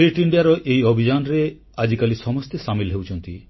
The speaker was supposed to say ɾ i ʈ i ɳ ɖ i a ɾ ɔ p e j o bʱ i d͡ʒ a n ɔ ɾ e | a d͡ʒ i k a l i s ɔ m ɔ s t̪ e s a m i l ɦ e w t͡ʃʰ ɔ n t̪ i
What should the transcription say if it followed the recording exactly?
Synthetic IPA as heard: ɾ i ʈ i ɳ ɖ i a ɾ ɔ ʔ e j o bʱ i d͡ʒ a n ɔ ɾ e | a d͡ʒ i k a l i s ɔ m ɔ s t̪ e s a m i l ɦ e w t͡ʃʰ ɔ n t̪ i

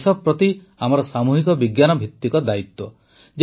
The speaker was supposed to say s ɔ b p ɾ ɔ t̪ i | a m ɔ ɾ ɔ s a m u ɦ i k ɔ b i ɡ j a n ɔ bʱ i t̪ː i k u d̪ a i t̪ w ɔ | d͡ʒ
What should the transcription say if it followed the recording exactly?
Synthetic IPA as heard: s ɔ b p ɾ ɔ t̪ i | a m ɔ ɾ ɔ s a m u ɦ i k ɔ b i ɡ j a n ɔ bʱ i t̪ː i k ɔ d̪ a i t̪ w ɔ | d͡ʒ

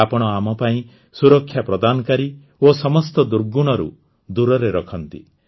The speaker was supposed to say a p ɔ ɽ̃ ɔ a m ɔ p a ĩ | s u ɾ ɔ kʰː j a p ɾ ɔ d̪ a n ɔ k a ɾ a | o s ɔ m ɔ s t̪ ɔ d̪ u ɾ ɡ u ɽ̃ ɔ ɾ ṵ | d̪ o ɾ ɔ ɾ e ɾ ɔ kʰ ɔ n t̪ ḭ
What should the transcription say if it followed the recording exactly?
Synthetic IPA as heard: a p ɔ ɽ̃ ɔ a m ɔ p a ĩ | s u ɾ ɔ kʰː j a p ɾ ɔ d̪ a n ɔ k a ɾ i | o s ɔ m ɔ s t̪ ɔ d̪ u ɾ ɡ u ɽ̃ ɔ ɾ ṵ | d̪ u ɾ ɔ ɾ e ɾ ɔ kʰ ɔ n t̪ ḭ

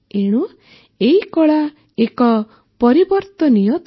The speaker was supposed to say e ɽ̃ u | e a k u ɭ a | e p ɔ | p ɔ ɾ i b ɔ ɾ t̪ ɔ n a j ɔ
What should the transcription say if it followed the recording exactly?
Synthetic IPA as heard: e ɽ̃ u | e i k ɔ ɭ a | e k ɔ | p ɔ ɾ i b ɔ ɾ t̪ ɔ n i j ɔ

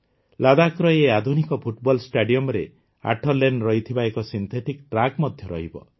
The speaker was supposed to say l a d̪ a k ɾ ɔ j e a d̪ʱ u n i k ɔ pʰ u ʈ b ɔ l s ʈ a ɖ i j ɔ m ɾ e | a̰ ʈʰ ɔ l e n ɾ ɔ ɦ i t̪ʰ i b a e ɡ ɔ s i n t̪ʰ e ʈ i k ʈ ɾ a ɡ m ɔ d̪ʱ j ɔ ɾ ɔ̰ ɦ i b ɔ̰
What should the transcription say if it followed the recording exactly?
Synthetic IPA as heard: l a d̪ a k ɾ ɔ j e a d̪ʱ u n i k ɔ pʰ u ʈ b ɔ l s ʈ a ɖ i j ɔ m ɾ e | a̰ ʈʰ ɔ l e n ɾ ɔ ɦ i t̪ʰ i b a e k ɔ s i n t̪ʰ e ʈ i k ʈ ɾ a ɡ m ɔ d̪ʱ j ɔ ɾ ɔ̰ ɦ i b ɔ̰

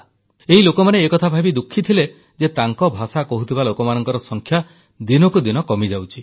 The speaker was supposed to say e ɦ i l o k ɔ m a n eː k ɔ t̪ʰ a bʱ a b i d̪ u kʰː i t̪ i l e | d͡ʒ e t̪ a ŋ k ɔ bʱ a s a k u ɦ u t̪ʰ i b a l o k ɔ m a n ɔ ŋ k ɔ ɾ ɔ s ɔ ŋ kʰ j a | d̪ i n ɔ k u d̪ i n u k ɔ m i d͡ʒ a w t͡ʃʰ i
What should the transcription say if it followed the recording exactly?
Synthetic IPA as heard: e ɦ i l o k ɔ m a n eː k ɔ t̪ʰ a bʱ a b i d̪ u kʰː i t̪ʰ i l e | d͡ʒ e t̪ a ŋ k ɔ bʱ a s a k ɔ ɦ u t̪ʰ i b a l o k ɔ m a n ɔ ŋ k ɔ ɾ ɔ s ɔ ŋ kʰ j a | d̪ i n ɔ k u d̪ i n ɔ k ɔ m i d͡ʒ a w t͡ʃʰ i

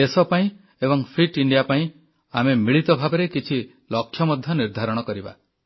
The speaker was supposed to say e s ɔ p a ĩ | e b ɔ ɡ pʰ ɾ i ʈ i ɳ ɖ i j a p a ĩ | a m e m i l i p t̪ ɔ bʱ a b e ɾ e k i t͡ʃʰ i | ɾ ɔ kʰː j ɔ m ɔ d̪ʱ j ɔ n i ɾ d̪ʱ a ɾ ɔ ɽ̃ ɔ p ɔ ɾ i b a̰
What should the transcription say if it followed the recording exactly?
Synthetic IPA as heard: e s ɔ p a ĩ | e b ɔ ŋ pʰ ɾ i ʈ i ɳ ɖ i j a p a ĩ | a m e m i ɭ i t̪ ɔ bʱ a b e ɾ e k i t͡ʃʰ i | l ɔ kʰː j ɔ m ɔ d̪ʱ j ɔ n i ɾ d̪ʱ a ɾ ɔ ɽ̃ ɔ k ɔ ɾ i b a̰

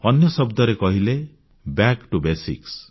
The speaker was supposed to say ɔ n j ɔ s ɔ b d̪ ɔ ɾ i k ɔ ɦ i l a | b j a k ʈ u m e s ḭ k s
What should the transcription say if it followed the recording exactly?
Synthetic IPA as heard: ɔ n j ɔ s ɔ b d̪ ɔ ɾ e k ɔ ɦ i l e | b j a k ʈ u b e s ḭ k s

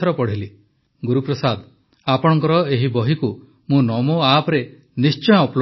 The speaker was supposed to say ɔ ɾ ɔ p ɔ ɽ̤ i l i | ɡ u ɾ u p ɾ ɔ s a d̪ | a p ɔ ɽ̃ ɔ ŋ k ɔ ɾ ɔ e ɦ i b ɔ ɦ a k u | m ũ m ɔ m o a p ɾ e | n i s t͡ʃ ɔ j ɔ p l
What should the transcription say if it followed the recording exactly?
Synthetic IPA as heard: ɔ ɾ ɔ p ɔ ɽ̤ i l i | ɡ u ɾ u p ɾ ɔ s a d̪ | a p ɔ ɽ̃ ɔ ŋ k ɔ ɾ ɔ e ɦ i b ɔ ɦ i k u | m ũ n ɔ m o a p ɾ e | n i s t͡ʃ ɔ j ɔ p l

